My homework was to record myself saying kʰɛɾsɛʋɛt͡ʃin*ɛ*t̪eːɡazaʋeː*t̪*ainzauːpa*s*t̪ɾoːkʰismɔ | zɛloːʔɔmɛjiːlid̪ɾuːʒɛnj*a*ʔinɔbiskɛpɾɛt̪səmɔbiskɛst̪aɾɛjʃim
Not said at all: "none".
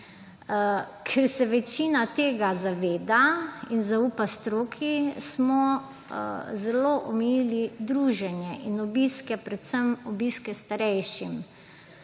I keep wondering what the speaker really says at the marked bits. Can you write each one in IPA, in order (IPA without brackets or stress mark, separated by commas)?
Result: a, d̪, s, ɛ